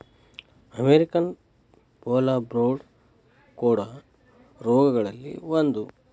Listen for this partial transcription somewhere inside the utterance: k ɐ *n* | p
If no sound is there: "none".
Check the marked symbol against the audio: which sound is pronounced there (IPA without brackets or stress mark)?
n